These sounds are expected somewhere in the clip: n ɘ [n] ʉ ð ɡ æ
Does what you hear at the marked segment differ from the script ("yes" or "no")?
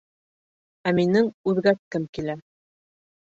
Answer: yes